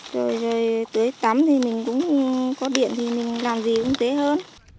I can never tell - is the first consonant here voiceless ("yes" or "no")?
no